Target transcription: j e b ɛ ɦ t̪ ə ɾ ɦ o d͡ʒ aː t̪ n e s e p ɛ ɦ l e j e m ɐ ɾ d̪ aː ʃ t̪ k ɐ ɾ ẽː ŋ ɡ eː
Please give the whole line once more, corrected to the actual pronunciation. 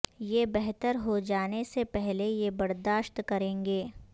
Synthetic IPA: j e b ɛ ɦ t̪ ə ɾ ɦ o d͡ʒ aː n e s e p ɛ ɦ l e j e b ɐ ɾ d̪ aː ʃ t̪ k ɐ ɾ ẽː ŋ ɡ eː